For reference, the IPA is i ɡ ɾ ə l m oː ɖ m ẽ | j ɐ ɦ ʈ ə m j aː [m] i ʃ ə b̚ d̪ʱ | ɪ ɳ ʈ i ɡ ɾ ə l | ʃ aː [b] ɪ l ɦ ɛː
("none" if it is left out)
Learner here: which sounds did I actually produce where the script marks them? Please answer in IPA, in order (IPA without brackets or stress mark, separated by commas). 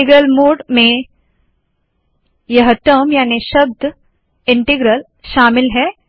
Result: n, m